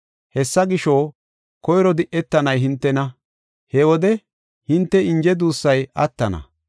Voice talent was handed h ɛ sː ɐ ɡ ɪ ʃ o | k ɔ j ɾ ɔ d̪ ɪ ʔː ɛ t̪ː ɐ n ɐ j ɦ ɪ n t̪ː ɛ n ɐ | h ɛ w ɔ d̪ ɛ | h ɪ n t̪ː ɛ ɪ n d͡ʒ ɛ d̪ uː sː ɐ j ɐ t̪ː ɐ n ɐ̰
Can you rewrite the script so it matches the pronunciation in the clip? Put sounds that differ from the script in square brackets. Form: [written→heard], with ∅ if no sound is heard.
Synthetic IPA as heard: h ɛ sː ɐ ɡ ɪ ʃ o | k ɔ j ɾ ɔ d̪ ɪ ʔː ɛ t̪ː ɐ n ɐ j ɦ ɪ n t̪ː ɛ n ɐ | h ɛ w ɔ d̪ ɛ | h ɪ n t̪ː ɛ ɪ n d͡ʒ ɛ d̪ uː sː ɐ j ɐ t̪ː ɐ n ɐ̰